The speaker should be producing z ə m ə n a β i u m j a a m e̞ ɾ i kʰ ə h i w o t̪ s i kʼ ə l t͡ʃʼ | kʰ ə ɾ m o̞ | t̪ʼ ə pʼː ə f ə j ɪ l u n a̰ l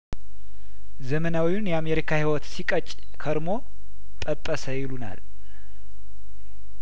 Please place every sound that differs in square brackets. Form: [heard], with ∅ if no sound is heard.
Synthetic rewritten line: z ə m ə n a [w] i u [n] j [ɛ] a m e̞ ɾ i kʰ [a] h i w [ɔ] t̪ s i kʼ ə [∅] t͡ʃʼ | kʰ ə ɾ m o̞ | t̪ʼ ə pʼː ə [s] ə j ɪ l u n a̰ l